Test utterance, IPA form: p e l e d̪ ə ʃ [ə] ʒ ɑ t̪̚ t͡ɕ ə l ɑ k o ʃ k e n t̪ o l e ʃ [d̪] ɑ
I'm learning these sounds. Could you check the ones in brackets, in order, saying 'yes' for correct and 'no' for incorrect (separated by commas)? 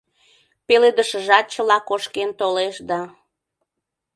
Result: yes, yes